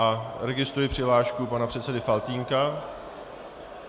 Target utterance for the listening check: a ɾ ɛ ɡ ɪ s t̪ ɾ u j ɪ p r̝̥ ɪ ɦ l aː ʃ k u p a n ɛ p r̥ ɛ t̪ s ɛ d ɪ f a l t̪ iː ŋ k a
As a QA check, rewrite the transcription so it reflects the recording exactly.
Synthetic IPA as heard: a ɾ ɛ ɡ ɪ s t̪ ɾ u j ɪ p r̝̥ ɪ ɦ l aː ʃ k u p a n a p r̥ ɛ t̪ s ɛ d ɪ f a l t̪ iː ŋ k a

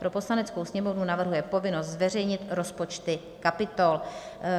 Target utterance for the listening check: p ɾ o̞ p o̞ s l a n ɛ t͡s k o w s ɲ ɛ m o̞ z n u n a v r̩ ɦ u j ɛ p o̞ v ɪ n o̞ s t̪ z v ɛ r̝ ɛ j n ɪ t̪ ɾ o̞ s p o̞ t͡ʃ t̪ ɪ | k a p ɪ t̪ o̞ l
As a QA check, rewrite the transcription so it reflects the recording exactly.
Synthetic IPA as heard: p ɾ o̞ p o̞ s l a n ɛ t͡s k o w s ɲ ɛ m o̞ v n u n a v r̩ ɦ u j ɛ p o̞ v ɪ n o̞ s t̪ z v ɛ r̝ ɛ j ɲ ɪ t̪ ɾ o̞ s p o̞ t͡ʃ t̪ ɪ | k a p ɪ t̪ o̞ l

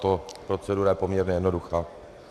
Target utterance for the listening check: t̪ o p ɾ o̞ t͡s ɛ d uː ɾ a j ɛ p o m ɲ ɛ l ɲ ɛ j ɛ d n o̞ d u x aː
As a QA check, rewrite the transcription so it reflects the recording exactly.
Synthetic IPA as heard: t̪ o p ɾ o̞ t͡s ɛ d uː ɾ a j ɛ p o m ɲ ɛ ɾ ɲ ɛ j ɛ d n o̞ d u x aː

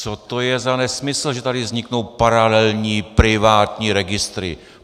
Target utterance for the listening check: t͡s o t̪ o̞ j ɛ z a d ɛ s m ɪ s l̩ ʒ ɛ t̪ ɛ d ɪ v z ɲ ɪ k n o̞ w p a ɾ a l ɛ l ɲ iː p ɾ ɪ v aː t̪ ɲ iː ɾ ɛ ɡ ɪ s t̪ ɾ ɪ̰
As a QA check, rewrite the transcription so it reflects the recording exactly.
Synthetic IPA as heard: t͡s o t̪ o̞ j ɛ z a n ɛ s m ɪ s l̩ ʒ ɛ t̪ a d ɪ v z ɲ ɪ k n o̞ w p a ɾ a l ɛ l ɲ iː p ɾ ɪ v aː t̪ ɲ iː ɾ ɛ ɡ ɪ s t̪ ɾ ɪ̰

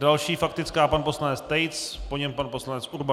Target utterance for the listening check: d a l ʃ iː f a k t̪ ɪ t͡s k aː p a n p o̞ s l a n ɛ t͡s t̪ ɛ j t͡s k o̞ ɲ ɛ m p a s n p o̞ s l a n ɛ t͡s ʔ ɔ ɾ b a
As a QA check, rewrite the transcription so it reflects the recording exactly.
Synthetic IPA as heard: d a l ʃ iː f a k t̪ ɪ t͡s k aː p a n p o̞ s l a n ɛ t͡s t̪ ɛ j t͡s p o̞ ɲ ɛ m p a n p o̞ s l a n ɛ t͡s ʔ u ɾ b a

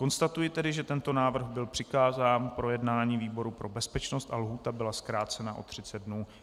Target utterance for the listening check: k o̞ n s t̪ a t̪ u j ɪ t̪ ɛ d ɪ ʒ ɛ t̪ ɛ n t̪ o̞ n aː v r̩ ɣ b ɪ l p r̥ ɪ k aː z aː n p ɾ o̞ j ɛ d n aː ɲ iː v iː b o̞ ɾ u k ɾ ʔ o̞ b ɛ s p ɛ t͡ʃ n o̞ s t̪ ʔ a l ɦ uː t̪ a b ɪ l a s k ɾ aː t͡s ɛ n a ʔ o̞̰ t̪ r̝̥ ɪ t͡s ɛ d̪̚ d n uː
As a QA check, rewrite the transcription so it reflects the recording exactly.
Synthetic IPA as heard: k o̞ n s t̪ a t̪ u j ɪ t̪ ɛ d ɪ ʒ ɛ t̪ ɛ n t̪ o̞ n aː v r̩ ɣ b ɪ l p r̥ ɪ k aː z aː n p ɾ o̞ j ɛ d n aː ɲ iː v iː b o̞ ɾ u p ɾ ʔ o̞ b ɛ s p ɛ t͡ʃ n o̞ s t̪ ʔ a l ɦ uː t̪ a b ɪ l a s k ɾ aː t͡s ɛ n a ʔ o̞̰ t̪ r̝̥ ɪ t͡s ɛ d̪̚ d n uː

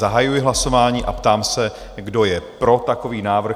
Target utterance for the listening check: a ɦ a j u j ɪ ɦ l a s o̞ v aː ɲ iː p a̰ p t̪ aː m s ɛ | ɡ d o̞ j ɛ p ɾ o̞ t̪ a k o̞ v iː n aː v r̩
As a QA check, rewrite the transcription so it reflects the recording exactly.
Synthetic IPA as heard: a ɦ a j u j ɪ ɦ l a s o̞ v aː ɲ iː ʔ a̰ p t̪ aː m s ɛ | ɡ d o̞ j ɛ p ɾ o̞ t̪ a k o̞ v iː n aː v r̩

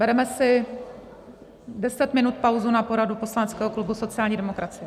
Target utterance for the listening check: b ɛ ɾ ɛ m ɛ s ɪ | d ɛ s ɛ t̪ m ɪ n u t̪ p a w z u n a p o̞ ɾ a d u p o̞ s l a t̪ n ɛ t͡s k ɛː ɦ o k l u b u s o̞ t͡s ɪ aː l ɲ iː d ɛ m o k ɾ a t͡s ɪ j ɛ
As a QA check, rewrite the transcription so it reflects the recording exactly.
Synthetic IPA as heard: b ɛ ɾ ɛ m ɛ s ɪ | d ɛ s ɛ t̪ m ɪ n u t̪ p a w z u n a p o̞ ɾ a d u p o̞ s l a n ɛ t͡s k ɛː ɦ o k l u b u s o̞ t͡s ɪ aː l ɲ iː d ɛ m o k ɾ a t͡s ɪ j ɛ

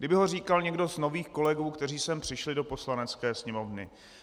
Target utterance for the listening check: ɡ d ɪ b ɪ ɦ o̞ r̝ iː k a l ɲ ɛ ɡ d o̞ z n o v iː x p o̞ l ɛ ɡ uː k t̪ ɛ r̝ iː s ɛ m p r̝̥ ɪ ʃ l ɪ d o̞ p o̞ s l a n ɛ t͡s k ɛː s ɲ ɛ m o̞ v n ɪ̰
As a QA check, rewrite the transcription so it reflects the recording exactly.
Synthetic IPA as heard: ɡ d ɪ b ɪ ɦ o̞ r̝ iː k a l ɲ ɛ ɡ d o̞ z n o v iː x k o̞ l ɛ ɡ uː k t̪ ɛ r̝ iː s ɛ m p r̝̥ ɪ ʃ l ɪ d o̞ p o̞ s l a n ɛ t͡s k ɛː s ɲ ɛ m o̞ v n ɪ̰

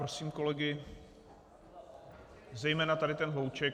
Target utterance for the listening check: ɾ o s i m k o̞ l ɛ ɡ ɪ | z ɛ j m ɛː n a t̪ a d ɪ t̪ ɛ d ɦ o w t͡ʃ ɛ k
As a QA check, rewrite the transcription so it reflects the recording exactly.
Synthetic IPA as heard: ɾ o s iː m k o̞ l ɛ ɡ ɪ | z ɛ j m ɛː n a t̪ a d ɪ t̪ ɛ n ɦ o w t͡ʃ ɛ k

